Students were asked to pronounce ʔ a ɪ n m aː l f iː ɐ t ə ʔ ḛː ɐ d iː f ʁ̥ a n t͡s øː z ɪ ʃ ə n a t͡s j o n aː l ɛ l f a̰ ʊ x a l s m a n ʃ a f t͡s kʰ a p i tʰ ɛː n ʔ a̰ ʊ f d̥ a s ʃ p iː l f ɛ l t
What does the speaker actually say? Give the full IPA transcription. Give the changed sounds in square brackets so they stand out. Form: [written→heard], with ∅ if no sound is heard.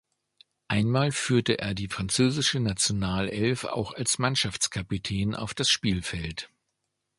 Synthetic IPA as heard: ʔ a ɪ n m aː l f [iː→yː] ɐ t ə ʔ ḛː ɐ d iː f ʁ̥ a n t͡s øː z ɪ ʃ ə n a t͡s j o n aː l ɛ l f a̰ ʊ x a l s m a n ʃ a f t͡s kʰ a p i tʰ ɛː n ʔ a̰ ʊ f d̥ a s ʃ p iː l f ɛ l t